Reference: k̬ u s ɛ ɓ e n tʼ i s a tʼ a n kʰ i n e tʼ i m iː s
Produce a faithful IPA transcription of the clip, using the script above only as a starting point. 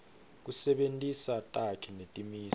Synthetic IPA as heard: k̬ u s ɛ ɓ e n tʼ i s a tʼ a kʰ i n e tʼ i m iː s